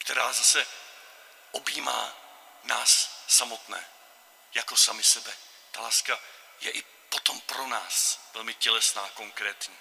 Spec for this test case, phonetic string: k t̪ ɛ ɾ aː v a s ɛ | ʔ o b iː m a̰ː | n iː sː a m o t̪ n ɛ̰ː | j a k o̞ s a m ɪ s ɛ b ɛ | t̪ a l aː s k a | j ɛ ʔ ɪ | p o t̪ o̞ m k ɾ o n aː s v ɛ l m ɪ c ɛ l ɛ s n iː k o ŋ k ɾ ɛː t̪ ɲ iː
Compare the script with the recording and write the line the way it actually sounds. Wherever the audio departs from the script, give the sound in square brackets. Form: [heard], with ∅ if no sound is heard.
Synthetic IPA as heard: k t̪ ɛ ɾ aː [z] a s ɛ | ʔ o b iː m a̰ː | n [aː] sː a m o t̪ n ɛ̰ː | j a k o̞ s a m ɪ s ɛ b ɛ | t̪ a l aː s k a | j ɛ ʔ ɪ | p o t̪ o̞ m [p] ɾ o n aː s v ɛ l m ɪ c ɛ l ɛ s n [aː] k o ŋ k ɾ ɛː t̪ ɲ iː